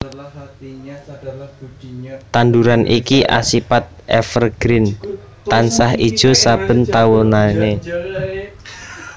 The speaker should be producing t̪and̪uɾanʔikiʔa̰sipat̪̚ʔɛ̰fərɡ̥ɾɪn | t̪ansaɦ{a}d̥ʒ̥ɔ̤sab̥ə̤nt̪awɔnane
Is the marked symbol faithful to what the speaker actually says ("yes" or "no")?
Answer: no